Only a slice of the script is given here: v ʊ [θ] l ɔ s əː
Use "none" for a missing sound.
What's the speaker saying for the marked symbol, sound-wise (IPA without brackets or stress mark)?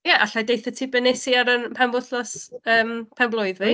θ